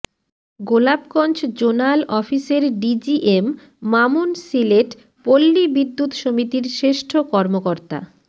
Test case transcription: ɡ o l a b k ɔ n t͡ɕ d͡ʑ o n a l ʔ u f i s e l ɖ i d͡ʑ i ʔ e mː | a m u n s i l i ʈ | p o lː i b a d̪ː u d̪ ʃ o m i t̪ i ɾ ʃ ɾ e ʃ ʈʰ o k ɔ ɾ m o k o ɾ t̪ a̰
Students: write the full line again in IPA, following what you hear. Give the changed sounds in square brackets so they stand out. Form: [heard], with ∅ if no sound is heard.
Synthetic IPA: ɡ o l a b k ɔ n t͡ɕ d͡ʑ o n a l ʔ [ɔ] f i s e [ɾ] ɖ i d͡ʑ i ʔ e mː | a m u n s i l [e] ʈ | p o lː i b [i] d̪ː u [t̪] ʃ o m i t̪ i ɾ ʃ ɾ e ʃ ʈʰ o k ɔ ɾ m o k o ɾ t̪ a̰